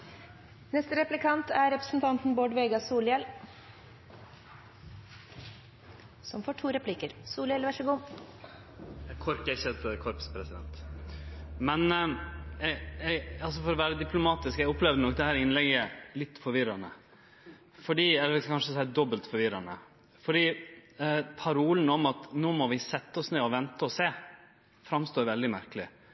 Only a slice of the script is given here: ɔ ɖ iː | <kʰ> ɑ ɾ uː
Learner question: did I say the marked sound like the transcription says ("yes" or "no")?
no